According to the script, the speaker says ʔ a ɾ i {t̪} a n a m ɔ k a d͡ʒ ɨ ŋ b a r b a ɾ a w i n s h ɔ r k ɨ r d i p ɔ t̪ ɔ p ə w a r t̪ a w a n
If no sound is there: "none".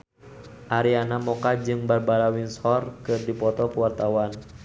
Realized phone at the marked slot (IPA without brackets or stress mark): none